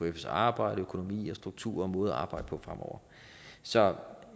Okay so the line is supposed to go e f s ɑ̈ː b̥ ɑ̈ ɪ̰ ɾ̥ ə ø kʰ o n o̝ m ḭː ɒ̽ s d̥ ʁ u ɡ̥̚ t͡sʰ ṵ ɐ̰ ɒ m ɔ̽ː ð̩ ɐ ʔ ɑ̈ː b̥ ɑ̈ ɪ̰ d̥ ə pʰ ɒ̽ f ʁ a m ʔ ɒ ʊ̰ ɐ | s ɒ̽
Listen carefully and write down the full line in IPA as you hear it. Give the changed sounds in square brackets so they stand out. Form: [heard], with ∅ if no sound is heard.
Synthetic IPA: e f s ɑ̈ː b̥ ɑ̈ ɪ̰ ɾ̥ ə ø kʰ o n o̝ m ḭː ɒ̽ s d̥ ʁ u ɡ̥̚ t͡sʰ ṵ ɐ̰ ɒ m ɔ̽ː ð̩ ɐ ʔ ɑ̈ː b̥ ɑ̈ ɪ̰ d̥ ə pʰ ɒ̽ f ʁ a m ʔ ɒ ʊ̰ ɐ | s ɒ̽